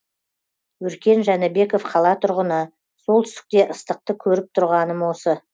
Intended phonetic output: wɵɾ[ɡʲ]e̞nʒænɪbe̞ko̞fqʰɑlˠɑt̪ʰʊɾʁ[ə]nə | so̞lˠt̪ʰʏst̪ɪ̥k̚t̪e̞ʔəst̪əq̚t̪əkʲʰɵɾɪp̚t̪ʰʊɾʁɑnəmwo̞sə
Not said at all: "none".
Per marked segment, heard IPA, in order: kʲ, ə

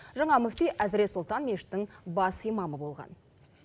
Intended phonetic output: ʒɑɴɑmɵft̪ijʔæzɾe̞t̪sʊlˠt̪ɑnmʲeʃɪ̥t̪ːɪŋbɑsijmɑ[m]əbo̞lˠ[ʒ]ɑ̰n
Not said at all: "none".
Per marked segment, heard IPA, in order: m, ʁ

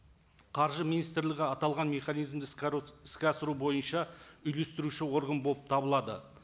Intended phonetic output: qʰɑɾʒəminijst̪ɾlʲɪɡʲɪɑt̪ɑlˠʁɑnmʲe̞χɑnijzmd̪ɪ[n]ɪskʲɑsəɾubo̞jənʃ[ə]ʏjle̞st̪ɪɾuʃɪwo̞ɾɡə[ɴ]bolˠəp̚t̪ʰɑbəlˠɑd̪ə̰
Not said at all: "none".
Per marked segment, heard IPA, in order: none, ɑ, n

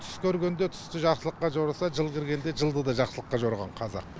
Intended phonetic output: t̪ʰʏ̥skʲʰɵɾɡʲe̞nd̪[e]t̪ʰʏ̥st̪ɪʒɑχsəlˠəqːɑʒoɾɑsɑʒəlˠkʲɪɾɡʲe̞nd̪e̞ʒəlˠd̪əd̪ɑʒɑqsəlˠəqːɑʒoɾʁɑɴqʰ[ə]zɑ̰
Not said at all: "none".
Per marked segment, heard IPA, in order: e, ɑ

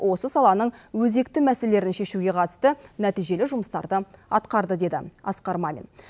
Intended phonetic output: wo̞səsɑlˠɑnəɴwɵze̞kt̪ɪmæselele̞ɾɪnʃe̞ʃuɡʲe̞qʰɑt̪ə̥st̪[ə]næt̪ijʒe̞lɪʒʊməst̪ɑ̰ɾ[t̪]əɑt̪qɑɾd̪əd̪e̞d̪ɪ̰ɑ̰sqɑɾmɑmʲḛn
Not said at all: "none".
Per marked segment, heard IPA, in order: ə, d̪

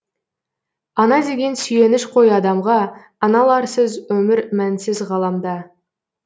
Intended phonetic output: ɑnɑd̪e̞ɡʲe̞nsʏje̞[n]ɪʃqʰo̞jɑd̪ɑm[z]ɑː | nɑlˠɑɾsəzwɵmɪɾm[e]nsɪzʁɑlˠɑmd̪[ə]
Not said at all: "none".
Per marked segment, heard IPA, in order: n, ʁ, æ, ɑ

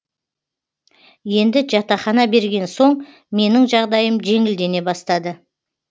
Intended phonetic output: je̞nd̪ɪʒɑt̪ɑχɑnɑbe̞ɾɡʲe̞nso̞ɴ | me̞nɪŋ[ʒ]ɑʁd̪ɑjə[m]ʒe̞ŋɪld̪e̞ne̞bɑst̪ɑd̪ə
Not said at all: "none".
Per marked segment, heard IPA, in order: ʒ, m

